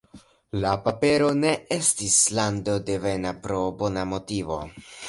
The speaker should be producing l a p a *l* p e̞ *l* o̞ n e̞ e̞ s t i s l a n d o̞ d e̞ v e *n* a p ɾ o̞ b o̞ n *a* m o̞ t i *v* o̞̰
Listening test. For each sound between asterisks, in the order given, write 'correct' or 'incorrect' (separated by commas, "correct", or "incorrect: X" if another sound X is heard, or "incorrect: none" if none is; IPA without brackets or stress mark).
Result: incorrect: none, incorrect: ɾ, correct, correct, correct